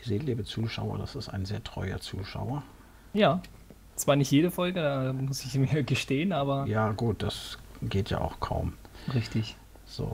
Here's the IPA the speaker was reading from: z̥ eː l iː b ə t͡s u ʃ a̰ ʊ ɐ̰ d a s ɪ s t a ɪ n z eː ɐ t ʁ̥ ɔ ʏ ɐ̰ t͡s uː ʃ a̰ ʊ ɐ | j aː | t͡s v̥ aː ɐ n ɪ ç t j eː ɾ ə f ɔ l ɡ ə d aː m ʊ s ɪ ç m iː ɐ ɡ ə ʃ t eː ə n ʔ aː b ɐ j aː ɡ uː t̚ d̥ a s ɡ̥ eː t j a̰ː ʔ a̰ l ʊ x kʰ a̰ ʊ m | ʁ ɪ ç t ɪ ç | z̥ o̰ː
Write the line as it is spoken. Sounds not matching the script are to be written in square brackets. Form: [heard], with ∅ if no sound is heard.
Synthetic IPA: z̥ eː l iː b ə t͡s [uː] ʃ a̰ ʊ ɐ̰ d a s ɪ s t a ɪ n z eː ɐ t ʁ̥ ɔ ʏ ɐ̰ t͡s uː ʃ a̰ ʊ ɐ | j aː | t͡s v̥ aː ɐ n ɪ ç t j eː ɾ ə f ɔ l ɡ ə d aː m ʊ s ɪ ç m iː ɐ ɡ ə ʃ t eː ə n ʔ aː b ɐ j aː ɡ uː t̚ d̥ a s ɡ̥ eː t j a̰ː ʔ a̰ [∅] ʊ x kʰ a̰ ʊ m | ʁ ɪ ç t ɪ ç | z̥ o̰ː